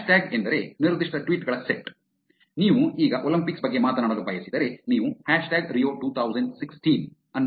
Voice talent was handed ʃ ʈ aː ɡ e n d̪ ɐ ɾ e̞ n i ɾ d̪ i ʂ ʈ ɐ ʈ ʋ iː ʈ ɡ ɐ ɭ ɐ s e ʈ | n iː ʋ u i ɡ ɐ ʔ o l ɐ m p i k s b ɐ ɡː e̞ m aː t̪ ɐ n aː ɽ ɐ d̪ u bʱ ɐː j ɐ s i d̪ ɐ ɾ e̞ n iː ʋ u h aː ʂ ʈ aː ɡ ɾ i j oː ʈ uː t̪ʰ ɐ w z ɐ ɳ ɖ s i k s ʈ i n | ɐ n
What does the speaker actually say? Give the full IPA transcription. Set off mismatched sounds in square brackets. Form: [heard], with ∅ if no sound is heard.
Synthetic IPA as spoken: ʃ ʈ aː ɡ e n d̪ ɐ ɾ e̞ n i ɾ d̪ i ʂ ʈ ɐ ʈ ʋ iː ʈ ɡ ɐ ɭ ɐ s e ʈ | n iː ʋ u [iː] ɡ ɐ ʔ o l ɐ m p i k s b ɐ ɡː e̞ m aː t̪ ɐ n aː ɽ ɐ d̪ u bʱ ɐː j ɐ s i d̪ ɐ ɾ e̞ n iː ʋ u h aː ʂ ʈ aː ɡ ɾ i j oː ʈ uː t̪ʰ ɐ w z ɐ ɳ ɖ s i k s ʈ i n | ɐ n